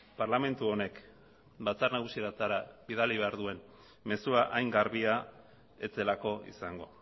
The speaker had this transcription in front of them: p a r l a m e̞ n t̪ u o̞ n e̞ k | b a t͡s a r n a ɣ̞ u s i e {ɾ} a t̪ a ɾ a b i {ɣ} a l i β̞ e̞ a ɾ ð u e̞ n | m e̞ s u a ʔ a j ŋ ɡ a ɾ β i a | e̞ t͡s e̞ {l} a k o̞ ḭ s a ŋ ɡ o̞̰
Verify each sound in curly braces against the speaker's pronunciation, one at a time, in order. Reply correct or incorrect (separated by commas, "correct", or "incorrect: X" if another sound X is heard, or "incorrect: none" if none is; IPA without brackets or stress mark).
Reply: correct, incorrect: ð, correct